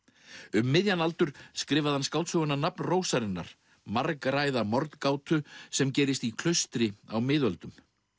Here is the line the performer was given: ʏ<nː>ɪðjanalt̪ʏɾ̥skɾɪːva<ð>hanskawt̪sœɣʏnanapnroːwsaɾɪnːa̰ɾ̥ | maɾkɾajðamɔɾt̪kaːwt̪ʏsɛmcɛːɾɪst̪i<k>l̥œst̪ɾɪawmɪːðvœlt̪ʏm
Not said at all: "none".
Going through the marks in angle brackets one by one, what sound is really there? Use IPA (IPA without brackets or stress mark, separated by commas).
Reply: mː, ð, kʰ